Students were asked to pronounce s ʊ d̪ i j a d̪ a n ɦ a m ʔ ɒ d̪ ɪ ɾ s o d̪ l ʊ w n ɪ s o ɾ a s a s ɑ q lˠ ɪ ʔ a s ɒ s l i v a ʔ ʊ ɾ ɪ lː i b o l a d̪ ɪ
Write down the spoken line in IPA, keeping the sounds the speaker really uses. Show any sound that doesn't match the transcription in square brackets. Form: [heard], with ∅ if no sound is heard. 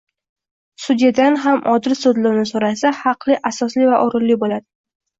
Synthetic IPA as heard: s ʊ d̪ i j a d̪ a n ɦ a m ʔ ɒ d̪ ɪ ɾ s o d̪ l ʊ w n ɪ s o ɾ a s a [h] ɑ q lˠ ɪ ʔ a s ɒ s l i v a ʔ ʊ ɾ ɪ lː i b o l a d̪ ɪ

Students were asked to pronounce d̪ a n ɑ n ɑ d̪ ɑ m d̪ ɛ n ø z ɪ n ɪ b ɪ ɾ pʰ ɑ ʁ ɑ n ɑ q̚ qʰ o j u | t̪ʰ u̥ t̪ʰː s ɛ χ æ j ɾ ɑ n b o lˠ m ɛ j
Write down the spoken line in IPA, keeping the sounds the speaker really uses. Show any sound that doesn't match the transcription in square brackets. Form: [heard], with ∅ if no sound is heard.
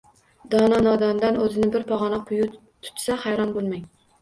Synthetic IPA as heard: d̪ [ɑ] n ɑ n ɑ d̪ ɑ [n] d̪ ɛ n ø z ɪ n ɪ b ɪ ɾ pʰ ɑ ʁ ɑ n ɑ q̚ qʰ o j u | t̪ʰ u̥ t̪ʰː s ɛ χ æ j ɾ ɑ n b o lˠ m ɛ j

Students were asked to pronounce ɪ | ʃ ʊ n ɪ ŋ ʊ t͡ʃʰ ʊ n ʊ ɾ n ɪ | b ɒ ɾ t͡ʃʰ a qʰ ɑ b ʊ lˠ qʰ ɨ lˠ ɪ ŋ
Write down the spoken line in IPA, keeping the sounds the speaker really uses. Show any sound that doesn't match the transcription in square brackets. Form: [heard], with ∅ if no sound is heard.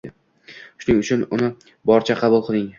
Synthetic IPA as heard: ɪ | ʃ ʊ n ɪ ŋ ʊ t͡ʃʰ ʊ n ʊ [∅] n ɪ | b ɒ ɾ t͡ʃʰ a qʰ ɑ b ʊ lˠ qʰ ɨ lˠ ɪ ŋ

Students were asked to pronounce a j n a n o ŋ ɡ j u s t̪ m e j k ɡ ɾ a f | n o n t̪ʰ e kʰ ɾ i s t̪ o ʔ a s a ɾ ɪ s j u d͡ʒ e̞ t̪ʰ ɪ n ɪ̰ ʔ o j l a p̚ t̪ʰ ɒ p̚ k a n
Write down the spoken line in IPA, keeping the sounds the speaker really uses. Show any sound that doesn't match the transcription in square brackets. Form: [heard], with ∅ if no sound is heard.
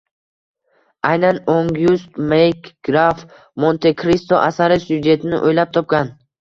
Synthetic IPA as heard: a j n a n o ŋ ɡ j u s t̪ m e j k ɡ ɾ a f | [m] o n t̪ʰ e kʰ ɾ i s t̪ o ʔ a s a ɾ ɪ s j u d͡ʒ e̞ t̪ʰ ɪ n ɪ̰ ʔ o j l a p̚ t̪ʰ ɒ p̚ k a n

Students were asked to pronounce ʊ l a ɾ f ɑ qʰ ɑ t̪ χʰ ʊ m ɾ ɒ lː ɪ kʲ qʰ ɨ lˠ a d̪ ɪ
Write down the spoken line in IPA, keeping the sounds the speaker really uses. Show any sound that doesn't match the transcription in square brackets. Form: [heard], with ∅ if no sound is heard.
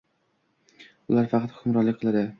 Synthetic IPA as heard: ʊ l a ɾ f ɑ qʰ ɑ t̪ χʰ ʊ m ɾ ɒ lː ɪ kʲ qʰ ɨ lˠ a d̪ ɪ

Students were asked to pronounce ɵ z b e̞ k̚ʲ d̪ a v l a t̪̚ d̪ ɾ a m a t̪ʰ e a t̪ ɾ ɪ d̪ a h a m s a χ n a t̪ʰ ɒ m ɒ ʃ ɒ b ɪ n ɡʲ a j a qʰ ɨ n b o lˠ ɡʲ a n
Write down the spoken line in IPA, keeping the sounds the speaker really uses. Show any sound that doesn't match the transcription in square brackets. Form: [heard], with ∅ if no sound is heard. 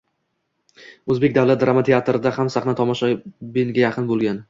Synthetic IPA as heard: ɵ z b e̞ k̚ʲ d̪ a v l a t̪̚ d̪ ɾ a m a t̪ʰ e a t̪ ɾ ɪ d̪ a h a m s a χ n a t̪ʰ ɒ m ɒ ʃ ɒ b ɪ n ɡʲ a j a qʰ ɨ n b o lˠ ɡʲ a n

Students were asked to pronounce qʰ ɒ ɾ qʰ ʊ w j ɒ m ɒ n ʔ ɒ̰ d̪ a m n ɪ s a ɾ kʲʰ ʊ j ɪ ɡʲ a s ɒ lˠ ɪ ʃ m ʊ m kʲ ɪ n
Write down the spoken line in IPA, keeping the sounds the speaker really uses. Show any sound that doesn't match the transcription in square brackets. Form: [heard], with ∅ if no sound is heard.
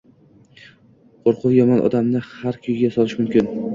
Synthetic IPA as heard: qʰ [o] ɾ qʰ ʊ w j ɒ m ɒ n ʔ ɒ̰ d̪ a m n ɪ [h] a ɾ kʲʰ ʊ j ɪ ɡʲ a s ɒ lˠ ɪ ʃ m ʊ m kʲ ɪ n

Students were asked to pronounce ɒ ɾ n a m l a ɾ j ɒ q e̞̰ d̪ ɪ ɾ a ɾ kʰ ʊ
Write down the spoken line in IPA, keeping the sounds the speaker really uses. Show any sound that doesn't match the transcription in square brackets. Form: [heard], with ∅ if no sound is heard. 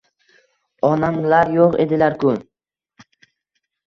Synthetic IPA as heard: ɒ [∅] n a m l a ɾ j [o] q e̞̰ d̪ ɪ [l] a ɾ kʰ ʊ

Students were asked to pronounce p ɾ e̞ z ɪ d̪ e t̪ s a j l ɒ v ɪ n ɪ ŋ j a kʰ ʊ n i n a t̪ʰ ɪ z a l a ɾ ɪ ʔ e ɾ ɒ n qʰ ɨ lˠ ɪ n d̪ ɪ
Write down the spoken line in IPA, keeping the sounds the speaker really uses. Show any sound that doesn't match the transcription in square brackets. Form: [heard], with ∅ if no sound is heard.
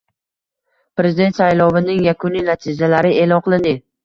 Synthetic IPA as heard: p ɾ e̞ z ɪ d̪ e t̪ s a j l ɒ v ɪ n ɪ ŋ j a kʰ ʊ n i n a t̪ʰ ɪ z a l a ɾ ɪ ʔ e [l] ɒ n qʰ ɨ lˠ ɪ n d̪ ɪ

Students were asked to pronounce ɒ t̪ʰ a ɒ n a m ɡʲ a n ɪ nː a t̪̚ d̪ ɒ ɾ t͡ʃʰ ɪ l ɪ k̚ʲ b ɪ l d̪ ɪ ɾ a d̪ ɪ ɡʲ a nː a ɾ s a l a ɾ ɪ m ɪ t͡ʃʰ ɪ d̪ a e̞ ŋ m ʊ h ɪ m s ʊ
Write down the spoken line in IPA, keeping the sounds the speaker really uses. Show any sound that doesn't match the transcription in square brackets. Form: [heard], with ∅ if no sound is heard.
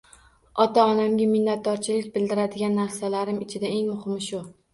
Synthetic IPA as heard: ɒ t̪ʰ a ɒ n a m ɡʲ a [m] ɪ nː a t̪̚ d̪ ɒ ɾ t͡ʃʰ ɪ l ɪ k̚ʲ b ɪ l d̪ ɪ ɾ a d̪ ɪ ɡʲ a nː a ɾ s a l a ɾ ɪ m ɪ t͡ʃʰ ɪ d̪ a e̞ ŋ m ʊ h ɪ m [ʃ] ʊ

